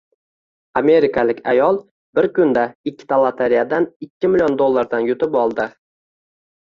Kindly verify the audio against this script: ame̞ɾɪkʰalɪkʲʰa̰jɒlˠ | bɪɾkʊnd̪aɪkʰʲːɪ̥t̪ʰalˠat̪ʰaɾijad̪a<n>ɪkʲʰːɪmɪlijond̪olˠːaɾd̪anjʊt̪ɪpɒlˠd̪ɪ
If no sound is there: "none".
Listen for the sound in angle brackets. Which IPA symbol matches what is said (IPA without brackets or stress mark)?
n